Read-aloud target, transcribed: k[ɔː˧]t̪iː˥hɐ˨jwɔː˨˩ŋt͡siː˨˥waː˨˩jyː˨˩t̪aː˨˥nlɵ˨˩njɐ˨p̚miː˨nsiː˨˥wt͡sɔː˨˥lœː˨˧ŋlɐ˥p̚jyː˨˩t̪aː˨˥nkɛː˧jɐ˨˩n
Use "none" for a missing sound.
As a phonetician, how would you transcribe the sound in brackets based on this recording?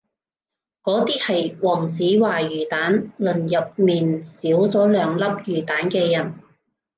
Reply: ɔː˨˥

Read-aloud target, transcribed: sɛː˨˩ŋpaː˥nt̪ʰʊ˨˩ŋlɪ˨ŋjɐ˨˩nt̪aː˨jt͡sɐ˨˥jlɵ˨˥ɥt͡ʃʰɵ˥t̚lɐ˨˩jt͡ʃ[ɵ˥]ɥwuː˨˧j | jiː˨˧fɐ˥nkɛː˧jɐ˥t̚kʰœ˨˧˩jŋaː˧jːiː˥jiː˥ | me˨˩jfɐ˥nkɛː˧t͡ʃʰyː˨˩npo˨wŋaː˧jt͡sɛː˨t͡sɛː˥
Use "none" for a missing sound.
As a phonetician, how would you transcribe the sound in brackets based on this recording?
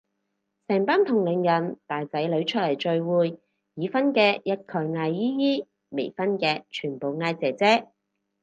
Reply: ɵ˧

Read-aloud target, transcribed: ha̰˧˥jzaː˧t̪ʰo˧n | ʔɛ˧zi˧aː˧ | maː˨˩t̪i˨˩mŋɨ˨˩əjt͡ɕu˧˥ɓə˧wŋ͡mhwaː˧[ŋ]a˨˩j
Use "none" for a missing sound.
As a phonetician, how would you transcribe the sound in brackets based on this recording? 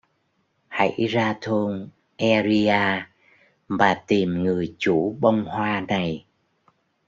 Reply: n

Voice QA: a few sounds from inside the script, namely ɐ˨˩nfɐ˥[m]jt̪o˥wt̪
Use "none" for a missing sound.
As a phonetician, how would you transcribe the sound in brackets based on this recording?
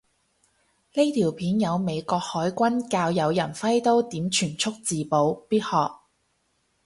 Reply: none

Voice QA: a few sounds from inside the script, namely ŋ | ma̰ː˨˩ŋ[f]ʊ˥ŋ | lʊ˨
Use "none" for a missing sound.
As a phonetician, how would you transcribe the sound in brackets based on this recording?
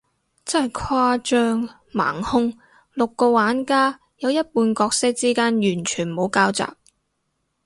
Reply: h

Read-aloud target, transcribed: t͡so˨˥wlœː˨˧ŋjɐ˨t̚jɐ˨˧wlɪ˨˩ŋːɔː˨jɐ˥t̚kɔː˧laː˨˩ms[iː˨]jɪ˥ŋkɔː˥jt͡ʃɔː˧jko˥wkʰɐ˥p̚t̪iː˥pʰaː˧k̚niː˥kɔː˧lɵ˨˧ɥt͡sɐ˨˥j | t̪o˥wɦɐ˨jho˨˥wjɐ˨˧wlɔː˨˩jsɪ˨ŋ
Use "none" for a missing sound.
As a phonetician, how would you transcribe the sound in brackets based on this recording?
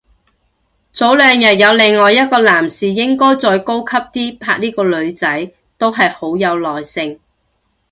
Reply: iː˨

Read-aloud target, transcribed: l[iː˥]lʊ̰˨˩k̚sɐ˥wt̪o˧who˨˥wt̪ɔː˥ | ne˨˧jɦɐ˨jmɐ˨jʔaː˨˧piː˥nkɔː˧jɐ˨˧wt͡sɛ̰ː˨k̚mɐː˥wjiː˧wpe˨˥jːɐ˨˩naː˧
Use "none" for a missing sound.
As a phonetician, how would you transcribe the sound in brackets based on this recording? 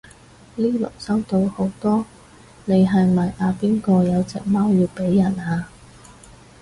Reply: iː˥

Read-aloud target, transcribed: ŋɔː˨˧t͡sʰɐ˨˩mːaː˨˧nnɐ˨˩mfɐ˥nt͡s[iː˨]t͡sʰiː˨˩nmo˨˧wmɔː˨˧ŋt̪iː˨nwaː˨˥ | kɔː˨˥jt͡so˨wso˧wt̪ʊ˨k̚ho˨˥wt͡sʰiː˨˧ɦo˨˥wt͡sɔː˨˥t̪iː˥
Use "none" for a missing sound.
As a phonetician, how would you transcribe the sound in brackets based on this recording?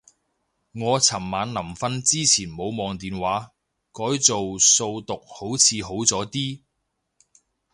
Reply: iː˥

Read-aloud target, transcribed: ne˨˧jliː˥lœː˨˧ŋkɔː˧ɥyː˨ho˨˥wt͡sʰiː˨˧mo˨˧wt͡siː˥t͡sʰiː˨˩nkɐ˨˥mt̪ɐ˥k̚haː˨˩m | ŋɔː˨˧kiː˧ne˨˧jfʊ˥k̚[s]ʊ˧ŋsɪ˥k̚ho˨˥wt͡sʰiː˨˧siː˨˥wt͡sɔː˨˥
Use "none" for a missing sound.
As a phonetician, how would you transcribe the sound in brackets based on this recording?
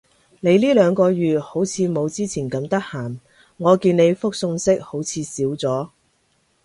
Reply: s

